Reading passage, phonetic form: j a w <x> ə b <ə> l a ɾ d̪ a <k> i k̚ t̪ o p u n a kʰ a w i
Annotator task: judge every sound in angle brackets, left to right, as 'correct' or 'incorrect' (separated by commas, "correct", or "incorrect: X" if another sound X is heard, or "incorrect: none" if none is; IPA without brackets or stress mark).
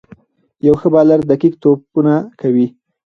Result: correct, incorrect: ɑ, correct